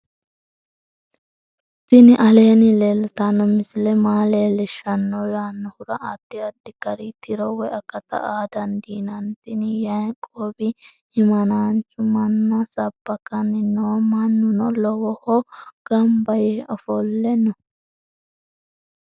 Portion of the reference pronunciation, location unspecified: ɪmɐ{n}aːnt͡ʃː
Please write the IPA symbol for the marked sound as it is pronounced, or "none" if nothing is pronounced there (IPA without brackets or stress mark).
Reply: n